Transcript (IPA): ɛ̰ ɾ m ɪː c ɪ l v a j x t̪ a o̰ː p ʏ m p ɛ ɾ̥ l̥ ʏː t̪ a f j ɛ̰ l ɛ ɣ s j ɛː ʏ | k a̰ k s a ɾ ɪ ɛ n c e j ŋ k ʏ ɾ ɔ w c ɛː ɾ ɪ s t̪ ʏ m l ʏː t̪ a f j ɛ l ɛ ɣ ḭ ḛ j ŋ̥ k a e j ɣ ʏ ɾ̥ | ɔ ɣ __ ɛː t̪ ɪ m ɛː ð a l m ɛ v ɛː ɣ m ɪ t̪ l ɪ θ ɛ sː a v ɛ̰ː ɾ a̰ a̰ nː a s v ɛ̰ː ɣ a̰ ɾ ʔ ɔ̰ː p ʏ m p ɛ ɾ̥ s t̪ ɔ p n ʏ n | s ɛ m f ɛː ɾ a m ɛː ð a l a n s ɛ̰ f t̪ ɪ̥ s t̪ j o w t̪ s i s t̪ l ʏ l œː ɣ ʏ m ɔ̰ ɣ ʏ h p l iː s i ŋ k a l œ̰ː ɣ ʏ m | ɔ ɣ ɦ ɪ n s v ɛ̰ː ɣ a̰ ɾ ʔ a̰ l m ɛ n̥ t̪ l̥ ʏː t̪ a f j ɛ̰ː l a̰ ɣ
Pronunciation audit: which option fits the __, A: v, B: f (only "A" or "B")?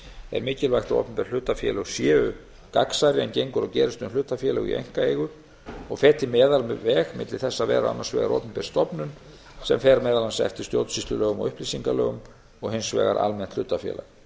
B